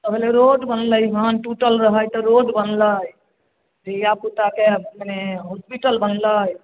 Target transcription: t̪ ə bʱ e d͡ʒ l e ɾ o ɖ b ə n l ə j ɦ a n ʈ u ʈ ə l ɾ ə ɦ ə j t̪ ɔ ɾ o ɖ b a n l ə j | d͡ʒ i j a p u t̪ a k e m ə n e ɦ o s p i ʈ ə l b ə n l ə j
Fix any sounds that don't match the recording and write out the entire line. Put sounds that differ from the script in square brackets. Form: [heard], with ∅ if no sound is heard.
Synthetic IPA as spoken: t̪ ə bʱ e [∅] l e ɾ o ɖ b ə n l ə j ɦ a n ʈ u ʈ ə l ɾ ə ɦ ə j t̪ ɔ ɾ o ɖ b [ə] n l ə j | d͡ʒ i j a p u t̪ a k e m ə n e ɦ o s p i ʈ ə l b ə n l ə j